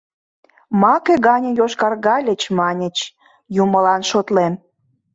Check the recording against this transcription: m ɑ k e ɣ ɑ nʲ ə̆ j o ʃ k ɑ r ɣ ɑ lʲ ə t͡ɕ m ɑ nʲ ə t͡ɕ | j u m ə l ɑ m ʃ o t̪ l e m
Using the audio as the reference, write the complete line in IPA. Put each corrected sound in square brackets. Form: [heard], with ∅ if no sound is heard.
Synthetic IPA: m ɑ k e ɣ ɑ nʲ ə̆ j o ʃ k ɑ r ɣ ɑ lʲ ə t͡ɕ m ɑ nʲ ə t͡ɕ | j u m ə l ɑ [n] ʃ o t̪ l e m